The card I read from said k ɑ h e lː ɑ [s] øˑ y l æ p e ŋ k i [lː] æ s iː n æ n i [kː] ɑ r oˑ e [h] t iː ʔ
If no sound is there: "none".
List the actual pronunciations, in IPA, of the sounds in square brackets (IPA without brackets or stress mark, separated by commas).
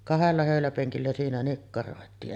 h, lː, kː, none